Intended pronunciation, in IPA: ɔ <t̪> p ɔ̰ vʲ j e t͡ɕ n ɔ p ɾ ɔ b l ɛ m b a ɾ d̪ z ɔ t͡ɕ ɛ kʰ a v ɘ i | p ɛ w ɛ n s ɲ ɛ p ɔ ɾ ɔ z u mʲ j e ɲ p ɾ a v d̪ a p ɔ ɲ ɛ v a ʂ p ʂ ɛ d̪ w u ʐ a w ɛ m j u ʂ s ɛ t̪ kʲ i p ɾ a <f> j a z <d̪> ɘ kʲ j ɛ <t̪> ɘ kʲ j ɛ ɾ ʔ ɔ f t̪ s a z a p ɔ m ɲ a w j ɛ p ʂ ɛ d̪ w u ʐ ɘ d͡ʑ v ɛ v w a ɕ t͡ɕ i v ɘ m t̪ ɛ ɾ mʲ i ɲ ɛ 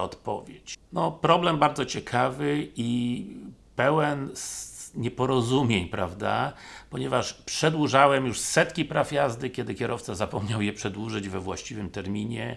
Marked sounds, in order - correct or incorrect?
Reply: correct, correct, correct, incorrect: d̪

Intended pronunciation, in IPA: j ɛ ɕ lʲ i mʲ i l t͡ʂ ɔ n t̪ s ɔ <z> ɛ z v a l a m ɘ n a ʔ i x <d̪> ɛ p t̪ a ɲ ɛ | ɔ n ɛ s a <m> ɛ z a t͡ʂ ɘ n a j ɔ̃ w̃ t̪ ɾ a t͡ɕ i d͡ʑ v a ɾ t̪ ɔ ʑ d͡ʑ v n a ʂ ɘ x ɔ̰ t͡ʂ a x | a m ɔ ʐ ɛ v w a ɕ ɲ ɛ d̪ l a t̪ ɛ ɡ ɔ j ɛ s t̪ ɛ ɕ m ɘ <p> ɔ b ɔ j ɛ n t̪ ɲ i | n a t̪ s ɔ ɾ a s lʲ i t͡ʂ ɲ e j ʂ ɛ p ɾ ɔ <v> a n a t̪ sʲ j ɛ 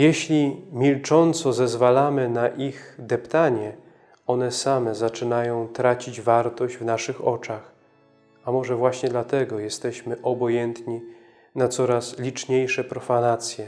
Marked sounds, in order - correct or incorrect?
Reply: correct, correct, correct, incorrect: ʔ, incorrect: f

